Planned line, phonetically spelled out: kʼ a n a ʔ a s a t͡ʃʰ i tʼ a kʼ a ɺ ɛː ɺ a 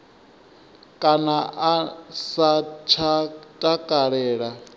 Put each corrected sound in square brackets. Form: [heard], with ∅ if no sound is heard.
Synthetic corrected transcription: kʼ a n a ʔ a s a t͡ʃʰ [a] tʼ a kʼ a ɺ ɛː ɺ a